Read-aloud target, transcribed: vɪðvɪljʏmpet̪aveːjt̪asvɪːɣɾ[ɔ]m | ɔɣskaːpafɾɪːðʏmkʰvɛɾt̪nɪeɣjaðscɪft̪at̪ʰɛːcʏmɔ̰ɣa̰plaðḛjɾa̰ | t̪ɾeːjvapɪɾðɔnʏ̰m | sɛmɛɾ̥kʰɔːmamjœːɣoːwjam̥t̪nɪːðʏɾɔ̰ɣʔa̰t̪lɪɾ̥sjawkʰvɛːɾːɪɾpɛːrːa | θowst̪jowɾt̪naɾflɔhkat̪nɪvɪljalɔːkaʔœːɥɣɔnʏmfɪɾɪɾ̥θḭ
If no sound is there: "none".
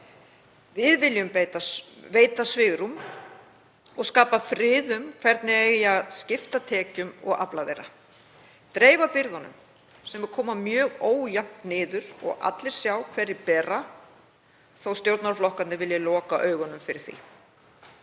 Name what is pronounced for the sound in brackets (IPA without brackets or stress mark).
u